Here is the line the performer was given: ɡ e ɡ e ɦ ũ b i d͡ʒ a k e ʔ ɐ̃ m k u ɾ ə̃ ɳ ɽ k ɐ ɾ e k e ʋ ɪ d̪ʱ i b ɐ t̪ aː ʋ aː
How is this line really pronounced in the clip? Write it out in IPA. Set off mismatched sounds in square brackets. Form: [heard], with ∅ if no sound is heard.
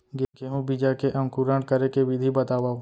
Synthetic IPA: ɡ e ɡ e ɦ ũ b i d͡ʒ a k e ʔ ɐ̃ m k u ɾ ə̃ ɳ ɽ k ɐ ɾ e k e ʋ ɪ d̪ʱ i b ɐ t̪ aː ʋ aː